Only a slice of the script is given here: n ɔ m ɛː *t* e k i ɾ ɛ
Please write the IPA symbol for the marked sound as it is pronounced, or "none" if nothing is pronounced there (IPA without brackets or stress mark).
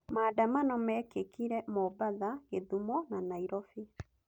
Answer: k